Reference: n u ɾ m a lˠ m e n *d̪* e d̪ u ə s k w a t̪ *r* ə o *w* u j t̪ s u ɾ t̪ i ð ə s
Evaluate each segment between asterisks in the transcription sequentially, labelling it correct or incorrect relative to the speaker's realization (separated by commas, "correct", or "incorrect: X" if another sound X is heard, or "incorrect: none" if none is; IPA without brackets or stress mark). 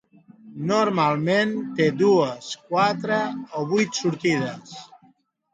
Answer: incorrect: t̪, incorrect: ɾ, incorrect: β